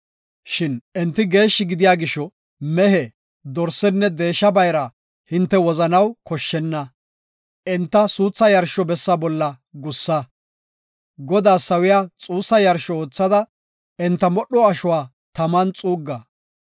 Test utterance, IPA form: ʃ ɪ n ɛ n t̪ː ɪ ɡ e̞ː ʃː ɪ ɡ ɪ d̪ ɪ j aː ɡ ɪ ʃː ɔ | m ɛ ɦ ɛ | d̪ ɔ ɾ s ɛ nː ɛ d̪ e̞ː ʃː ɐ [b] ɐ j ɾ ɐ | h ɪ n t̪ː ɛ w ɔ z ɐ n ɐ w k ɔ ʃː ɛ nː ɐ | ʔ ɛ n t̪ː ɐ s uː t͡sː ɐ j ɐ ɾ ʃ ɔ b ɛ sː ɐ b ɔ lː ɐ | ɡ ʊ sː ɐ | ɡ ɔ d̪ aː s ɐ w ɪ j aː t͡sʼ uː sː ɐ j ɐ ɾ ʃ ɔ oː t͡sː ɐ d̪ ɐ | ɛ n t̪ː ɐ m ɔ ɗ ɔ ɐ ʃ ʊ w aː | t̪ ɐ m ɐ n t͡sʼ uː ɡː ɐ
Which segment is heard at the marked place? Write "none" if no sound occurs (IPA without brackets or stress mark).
b